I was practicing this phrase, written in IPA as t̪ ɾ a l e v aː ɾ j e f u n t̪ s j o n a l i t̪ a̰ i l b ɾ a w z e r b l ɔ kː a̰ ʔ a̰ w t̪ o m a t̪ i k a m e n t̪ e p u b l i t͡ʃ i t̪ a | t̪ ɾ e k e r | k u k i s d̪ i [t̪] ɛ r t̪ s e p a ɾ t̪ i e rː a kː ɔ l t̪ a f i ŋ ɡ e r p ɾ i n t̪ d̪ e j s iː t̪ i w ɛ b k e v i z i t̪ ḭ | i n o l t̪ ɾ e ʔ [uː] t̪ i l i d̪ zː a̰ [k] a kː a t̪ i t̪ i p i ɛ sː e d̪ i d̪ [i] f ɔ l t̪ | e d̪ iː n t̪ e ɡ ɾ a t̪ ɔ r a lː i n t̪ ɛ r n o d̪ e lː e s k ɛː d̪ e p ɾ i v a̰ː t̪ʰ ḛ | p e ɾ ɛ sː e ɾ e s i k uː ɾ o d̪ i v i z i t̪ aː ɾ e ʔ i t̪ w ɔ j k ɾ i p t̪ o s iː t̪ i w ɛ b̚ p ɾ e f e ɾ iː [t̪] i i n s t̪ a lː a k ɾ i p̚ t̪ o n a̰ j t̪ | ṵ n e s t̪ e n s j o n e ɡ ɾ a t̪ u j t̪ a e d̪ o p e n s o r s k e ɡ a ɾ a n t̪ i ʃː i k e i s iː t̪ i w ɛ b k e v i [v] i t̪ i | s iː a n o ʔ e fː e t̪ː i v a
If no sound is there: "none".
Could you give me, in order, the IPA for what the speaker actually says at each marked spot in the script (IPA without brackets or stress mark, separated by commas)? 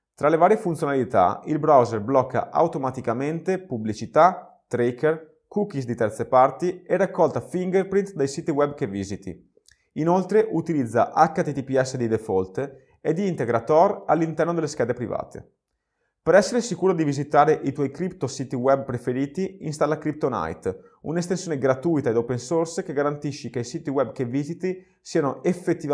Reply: t̪, u, ʔ, e, t̪, z